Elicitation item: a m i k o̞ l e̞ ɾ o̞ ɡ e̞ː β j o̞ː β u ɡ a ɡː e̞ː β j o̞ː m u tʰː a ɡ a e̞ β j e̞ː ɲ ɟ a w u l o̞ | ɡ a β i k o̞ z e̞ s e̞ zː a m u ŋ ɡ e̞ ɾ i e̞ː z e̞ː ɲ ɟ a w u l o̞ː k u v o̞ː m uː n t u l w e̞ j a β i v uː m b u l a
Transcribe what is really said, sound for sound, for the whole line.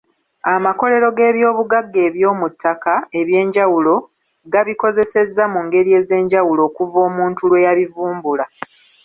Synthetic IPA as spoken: a m a k o̞ l e̞ ɾ o̞ ɡ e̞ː β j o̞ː β u ɡ a ɡː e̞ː β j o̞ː m u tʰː a k a e̞ β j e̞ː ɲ ɟ a w u l o̞ | ɡ a β i k o̞ z e̞ s e̞ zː a m u ŋ ɡ e̞ ɾ i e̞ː z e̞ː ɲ ɟ a w u l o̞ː k u v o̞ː m uː n t u l w e̞ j a β i v uː m b u l a

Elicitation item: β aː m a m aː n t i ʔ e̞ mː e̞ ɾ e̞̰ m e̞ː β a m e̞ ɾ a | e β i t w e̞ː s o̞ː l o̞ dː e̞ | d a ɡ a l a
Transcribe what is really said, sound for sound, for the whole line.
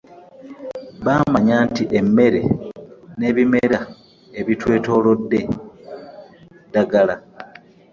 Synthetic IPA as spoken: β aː m a ɲ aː n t i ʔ e̞ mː e̞ ɾ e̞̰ n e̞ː β i m e̞ ɾ a | e β i t w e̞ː t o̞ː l o̞ dː e̞ | d a ɡ a l a

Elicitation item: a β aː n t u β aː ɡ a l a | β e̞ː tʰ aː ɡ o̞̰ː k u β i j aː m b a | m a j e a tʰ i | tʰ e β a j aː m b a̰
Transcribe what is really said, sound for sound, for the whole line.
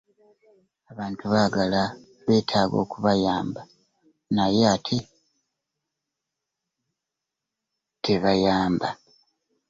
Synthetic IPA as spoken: a β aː n t u β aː ɡ a l a | β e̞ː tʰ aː ɡ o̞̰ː k u β a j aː m b a | n a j e a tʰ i | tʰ e β a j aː m b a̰

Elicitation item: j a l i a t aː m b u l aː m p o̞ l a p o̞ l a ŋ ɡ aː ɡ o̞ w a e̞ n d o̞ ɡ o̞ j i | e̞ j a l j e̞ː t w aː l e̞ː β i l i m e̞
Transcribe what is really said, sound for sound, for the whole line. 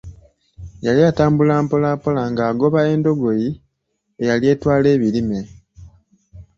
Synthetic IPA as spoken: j a l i a t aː m b u l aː m p o̞ l a p o̞ l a ŋ ɡ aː ɡ o̞ β a e̞ n d o̞ ɡ o̞ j i | e̞ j a l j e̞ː t w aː l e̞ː β i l i m e̞

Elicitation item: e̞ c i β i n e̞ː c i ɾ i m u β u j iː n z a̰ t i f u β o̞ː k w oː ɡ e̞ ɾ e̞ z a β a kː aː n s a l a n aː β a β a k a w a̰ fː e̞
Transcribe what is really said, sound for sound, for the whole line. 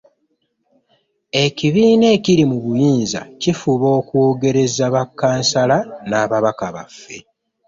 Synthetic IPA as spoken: e̞ c i β iː n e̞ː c i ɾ i m u β u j iː n z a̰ c i f u β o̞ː k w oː ɡ e̞ ɾ e̞ z a β a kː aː n s a l a n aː β a β a k a β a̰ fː e̞

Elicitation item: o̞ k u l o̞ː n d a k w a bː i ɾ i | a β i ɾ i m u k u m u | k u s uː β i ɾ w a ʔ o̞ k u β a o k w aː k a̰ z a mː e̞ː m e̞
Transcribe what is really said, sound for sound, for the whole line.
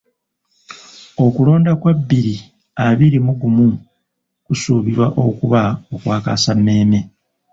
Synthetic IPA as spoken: o̞ k u l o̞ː n d a k w a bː i ɾ i | a β i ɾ i m u ɡ u m u | k u s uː β i ɾ w a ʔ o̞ k u β a o k w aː k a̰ s a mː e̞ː m e̞

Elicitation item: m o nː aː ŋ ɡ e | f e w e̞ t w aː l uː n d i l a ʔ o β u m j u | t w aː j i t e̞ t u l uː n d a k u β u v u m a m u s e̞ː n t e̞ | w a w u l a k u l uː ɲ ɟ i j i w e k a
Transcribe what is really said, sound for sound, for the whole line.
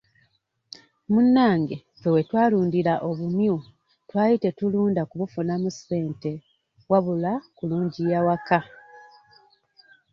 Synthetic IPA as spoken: m u nː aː ŋ ɡ e | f e w e̞ t w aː l uː n d i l a ʔ o β u m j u | t w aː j i t e̞ t u l uː n d a k u β u f u n a m u s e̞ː n t e̞ | w a β u l a k u l uː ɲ ɟ i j a w a k a

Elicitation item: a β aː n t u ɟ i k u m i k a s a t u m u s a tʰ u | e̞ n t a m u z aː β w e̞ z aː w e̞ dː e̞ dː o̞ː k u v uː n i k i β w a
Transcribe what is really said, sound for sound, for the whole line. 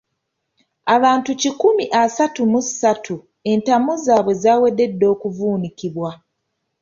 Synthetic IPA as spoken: a β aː n t u c i k u m i ʔ a s a t u m u s a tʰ u | e̞ n t a m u z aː β w e̞ z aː w e̞ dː e̞ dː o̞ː k u v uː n i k i β w a

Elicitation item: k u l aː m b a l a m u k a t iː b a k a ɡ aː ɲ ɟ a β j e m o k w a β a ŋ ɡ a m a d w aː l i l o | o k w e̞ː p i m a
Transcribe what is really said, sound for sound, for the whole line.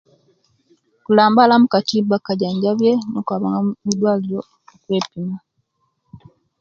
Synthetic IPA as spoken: k u l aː m b a l a m u k a t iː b a k a ɟ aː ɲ ɟ a β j e n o k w a β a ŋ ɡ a m i d w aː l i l o | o k w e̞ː p i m a

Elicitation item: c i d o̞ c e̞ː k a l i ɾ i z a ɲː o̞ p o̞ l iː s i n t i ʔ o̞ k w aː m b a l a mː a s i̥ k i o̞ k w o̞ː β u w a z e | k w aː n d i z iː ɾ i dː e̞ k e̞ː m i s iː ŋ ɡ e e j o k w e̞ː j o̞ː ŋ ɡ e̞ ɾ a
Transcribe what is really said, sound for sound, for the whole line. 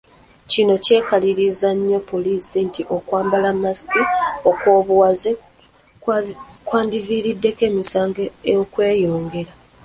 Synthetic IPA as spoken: c i n o̞ c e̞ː k a l i ɾ i z a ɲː o̞ p o̞ l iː s i n t i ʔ o̞ k w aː m b a l a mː a s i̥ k i o̞ k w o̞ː β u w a z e | k w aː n d i v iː ɾ i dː e̞ k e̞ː m i s aː ŋ ɡ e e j o k w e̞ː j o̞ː ŋ ɡ e̞ ɾ a

